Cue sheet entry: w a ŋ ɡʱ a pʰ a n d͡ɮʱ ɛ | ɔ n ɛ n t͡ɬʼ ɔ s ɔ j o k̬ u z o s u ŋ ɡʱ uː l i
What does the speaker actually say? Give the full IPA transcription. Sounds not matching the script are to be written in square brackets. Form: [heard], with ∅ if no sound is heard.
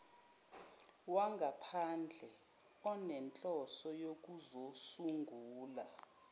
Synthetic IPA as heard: w a ŋ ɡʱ a pʰ a n d͡ɮʱ ɛ | ɔ n ɛ n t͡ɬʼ ɔ s ɔ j o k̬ u z o s u ŋ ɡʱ uː l [a]